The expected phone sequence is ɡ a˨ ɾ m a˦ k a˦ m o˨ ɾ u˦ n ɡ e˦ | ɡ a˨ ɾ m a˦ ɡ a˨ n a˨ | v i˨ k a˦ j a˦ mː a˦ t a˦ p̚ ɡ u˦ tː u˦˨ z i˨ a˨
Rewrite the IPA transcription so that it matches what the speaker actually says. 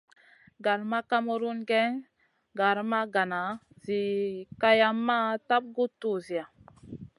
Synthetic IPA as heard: ɡ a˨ ɾ m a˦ k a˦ m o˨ ɾ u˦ n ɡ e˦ | ɡ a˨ ɾ m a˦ ɡ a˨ n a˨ | z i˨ k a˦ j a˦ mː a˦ t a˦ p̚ ɡ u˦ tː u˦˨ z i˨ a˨